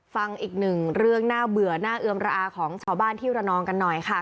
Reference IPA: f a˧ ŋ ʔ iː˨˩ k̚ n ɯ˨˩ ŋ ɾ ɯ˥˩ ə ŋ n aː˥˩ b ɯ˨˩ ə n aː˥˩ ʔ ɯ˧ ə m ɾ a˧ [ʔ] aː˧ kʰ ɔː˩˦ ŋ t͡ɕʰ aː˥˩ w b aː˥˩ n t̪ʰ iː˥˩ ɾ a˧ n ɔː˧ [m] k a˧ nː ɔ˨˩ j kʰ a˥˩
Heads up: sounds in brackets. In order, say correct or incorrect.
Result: correct, incorrect

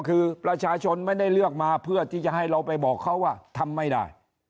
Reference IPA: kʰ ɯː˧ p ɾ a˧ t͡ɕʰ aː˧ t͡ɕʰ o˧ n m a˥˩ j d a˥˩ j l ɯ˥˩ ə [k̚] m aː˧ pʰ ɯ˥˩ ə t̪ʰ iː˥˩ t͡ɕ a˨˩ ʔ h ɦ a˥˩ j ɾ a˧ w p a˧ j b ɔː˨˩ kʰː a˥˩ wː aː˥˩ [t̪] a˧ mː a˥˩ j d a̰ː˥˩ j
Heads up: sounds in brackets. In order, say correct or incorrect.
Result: correct, incorrect

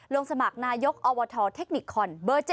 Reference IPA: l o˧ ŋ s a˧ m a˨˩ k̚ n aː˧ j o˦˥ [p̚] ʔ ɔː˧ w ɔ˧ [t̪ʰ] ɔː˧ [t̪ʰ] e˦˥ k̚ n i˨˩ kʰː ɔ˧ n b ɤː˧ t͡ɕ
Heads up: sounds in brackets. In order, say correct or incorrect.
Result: incorrect, correct, correct

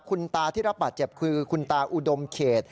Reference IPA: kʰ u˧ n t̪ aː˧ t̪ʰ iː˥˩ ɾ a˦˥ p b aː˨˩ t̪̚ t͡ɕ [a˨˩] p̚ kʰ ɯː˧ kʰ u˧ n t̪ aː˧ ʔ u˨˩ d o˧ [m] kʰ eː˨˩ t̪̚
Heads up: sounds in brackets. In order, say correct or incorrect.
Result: incorrect, correct

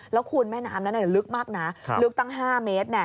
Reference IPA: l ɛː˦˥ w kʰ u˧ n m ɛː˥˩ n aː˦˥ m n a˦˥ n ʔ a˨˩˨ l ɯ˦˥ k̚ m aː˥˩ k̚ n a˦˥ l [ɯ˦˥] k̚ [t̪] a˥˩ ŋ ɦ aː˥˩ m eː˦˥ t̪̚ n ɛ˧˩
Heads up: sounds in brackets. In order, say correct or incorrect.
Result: correct, correct

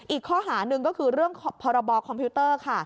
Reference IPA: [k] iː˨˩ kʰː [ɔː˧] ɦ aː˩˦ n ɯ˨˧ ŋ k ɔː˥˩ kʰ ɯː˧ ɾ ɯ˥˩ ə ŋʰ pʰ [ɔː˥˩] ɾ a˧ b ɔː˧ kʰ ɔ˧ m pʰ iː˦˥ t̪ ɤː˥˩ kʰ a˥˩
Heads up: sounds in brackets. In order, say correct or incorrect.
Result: incorrect, incorrect, incorrect

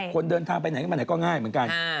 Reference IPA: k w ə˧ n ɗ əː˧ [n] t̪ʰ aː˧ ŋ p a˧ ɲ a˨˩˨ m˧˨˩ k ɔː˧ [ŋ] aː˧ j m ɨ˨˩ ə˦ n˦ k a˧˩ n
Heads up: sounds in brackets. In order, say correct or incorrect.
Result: correct, correct

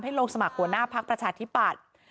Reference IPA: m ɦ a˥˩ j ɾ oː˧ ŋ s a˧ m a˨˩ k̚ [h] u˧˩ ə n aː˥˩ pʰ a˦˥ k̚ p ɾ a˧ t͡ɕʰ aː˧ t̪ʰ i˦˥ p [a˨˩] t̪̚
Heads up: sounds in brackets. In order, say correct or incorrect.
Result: correct, correct

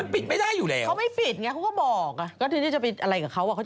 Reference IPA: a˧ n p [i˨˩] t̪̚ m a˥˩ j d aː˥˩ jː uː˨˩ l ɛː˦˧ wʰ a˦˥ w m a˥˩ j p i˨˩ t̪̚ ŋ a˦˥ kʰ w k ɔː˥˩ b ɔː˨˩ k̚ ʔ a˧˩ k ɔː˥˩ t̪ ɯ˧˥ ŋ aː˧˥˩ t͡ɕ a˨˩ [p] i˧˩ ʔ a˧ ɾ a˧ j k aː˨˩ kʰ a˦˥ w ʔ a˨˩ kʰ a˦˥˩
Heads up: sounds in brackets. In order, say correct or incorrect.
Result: correct, correct

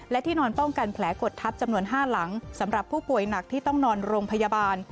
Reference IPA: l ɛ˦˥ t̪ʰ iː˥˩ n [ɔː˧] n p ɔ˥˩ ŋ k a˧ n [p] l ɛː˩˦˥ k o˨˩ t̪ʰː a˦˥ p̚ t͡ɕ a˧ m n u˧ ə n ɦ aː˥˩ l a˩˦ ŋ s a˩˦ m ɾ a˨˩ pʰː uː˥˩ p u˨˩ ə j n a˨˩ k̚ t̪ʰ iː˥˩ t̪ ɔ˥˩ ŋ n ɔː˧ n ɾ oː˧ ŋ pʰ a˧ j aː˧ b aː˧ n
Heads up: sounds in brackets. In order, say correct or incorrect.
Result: correct, incorrect

